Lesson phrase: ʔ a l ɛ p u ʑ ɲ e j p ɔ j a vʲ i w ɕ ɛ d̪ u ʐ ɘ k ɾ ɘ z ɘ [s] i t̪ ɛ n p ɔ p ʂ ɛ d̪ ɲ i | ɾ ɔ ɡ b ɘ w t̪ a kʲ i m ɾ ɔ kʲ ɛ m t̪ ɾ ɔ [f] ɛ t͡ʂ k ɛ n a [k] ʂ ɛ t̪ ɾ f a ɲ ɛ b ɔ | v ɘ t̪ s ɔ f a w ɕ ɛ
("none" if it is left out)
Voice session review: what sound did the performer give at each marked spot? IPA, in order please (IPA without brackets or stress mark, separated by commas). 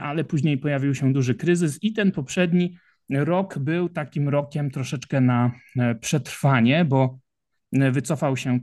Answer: s, ʂ, p